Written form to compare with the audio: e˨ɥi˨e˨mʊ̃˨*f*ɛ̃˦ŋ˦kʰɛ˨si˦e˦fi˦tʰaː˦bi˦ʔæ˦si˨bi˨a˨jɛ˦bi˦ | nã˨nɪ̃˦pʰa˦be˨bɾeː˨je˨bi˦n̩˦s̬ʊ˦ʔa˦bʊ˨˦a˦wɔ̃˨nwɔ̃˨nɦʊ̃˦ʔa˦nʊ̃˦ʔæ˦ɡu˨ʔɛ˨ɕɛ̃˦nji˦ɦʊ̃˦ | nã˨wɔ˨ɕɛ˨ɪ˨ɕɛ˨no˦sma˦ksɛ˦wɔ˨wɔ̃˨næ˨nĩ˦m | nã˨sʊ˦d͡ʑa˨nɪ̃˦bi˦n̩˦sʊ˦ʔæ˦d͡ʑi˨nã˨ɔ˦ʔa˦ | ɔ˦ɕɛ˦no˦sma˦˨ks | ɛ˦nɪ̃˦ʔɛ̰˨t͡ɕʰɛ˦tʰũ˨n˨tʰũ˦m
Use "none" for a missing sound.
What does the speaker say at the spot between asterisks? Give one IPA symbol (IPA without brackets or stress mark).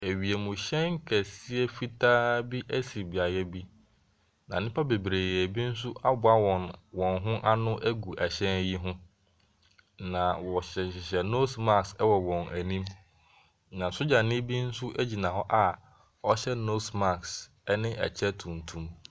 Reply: ɕ